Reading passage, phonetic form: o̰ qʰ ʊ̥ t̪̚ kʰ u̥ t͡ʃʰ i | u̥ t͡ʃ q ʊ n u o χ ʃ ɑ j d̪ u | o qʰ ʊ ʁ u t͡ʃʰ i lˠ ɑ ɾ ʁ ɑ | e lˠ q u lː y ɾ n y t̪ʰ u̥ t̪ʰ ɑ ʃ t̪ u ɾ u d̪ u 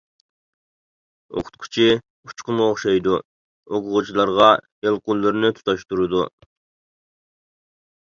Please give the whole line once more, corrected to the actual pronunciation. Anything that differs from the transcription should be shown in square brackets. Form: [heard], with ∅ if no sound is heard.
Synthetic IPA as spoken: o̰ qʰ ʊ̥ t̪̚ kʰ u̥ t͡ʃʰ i | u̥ t͡ʃ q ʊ n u o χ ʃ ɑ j d̪ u | o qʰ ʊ ʁ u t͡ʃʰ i lˠ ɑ ɾ ʁ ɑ | e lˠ q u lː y ɾ n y t̪ʰ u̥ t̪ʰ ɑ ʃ t̪ u ɾ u d̪ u